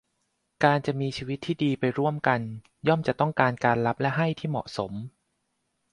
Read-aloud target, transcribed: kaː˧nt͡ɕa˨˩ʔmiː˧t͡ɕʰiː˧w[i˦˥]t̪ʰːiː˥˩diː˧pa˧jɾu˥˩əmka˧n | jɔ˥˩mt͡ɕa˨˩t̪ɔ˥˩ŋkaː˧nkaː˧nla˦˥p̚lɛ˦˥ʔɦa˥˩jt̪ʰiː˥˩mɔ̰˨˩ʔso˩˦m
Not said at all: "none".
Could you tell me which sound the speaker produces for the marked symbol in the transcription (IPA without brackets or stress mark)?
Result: i˦˥